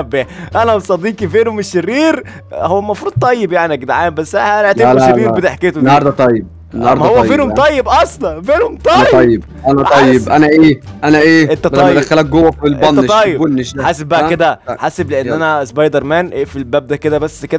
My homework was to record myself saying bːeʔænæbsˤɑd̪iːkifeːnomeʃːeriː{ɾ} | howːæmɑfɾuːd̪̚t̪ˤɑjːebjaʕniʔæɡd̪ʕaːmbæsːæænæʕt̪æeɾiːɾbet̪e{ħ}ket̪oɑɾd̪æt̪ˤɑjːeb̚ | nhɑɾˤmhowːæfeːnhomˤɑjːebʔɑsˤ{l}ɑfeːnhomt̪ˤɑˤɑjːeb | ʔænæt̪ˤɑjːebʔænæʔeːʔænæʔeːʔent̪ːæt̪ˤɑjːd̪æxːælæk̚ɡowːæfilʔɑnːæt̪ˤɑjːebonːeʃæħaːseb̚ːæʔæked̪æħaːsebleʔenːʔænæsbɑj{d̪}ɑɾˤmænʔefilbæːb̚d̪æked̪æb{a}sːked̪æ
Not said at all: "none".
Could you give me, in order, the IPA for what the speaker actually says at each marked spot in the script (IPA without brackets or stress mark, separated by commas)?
ɾ, ħ, l, d̪, æ